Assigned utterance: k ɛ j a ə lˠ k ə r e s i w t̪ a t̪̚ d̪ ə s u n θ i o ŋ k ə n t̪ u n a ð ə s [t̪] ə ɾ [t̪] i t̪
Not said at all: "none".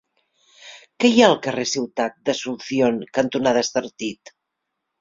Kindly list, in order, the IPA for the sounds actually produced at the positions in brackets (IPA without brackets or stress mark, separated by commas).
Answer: t̪, t̪